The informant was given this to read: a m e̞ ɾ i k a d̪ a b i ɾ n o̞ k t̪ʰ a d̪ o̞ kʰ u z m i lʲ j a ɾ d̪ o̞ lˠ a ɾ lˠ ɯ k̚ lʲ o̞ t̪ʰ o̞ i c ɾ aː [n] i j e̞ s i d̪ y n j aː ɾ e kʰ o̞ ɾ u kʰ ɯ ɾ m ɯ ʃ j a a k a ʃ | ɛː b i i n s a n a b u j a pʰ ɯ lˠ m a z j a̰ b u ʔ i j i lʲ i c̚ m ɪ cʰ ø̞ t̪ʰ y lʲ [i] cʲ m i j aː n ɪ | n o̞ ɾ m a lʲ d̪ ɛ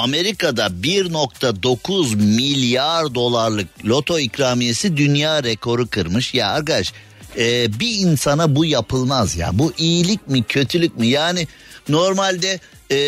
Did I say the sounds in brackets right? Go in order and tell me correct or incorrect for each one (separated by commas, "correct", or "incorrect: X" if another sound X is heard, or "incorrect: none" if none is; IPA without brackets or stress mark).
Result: incorrect: m, incorrect: y